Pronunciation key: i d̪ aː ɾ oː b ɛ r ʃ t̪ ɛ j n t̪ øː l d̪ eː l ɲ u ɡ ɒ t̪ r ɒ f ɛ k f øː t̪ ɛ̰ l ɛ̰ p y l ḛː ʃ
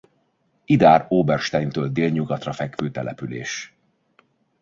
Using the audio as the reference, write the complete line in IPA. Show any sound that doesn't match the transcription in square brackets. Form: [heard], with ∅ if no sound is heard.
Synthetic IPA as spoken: i d̪ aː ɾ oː b ɛ r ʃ t̪ ɛ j n t̪ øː l d̪ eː l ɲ u ɡ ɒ t̪ r ɒ f ɛ k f øː t̪ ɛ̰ l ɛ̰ p y l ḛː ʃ